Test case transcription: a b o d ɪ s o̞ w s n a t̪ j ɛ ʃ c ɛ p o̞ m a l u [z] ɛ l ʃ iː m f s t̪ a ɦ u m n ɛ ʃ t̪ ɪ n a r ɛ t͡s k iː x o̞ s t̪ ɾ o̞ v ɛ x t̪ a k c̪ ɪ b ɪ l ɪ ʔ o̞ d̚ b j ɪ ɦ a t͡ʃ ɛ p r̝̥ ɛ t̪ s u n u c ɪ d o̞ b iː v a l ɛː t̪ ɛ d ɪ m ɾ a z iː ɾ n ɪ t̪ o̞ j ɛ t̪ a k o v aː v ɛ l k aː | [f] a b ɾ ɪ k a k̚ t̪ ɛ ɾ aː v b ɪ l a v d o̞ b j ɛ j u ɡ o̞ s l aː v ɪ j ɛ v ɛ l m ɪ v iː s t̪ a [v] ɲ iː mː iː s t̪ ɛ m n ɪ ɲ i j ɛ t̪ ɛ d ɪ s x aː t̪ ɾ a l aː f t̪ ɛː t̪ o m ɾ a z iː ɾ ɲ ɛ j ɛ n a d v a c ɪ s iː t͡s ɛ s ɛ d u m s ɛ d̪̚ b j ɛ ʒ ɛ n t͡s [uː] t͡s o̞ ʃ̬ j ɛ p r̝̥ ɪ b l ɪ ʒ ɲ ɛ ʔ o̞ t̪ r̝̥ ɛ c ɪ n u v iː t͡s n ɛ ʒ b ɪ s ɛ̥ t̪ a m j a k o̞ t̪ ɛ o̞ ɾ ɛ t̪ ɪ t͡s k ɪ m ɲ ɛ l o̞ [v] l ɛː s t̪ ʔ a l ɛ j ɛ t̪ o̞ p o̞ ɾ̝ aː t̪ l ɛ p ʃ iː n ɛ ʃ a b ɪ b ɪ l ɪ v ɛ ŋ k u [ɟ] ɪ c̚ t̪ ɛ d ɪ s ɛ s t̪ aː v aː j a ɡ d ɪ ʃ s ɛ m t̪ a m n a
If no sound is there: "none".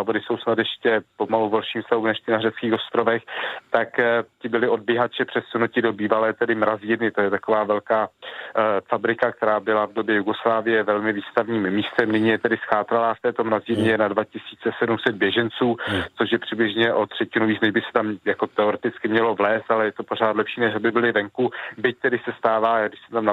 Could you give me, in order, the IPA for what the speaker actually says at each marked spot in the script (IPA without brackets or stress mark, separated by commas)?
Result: v, f, v, uː, v, b